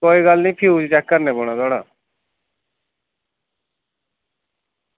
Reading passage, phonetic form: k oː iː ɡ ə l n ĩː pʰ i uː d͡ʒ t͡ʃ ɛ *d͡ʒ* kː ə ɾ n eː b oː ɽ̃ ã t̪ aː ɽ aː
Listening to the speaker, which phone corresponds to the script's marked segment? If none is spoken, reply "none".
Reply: none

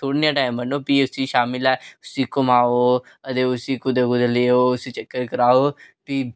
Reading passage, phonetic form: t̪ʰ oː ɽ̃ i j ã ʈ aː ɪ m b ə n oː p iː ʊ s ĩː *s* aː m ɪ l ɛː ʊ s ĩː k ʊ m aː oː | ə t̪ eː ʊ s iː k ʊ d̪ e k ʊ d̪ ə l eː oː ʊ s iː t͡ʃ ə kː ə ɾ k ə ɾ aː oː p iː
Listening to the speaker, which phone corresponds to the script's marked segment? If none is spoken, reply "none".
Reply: ʃ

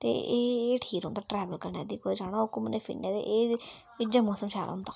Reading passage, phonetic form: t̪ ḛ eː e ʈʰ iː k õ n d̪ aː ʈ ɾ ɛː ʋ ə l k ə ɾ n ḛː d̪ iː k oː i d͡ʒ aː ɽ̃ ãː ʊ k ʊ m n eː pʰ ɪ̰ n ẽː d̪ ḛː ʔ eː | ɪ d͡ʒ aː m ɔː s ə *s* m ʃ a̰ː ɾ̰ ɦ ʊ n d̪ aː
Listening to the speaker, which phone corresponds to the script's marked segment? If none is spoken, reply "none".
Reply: none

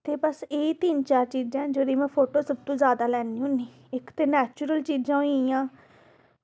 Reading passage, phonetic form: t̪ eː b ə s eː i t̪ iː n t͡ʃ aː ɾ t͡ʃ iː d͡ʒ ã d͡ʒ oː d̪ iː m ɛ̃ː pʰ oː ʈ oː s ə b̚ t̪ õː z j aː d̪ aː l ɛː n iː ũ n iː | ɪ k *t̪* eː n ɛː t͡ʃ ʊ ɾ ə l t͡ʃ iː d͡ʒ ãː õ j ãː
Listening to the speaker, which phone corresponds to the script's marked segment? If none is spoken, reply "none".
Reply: t̪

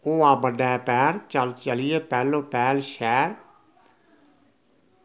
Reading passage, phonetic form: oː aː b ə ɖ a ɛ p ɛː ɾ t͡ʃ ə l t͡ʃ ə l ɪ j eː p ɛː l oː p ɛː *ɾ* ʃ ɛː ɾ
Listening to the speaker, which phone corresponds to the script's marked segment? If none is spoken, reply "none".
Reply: l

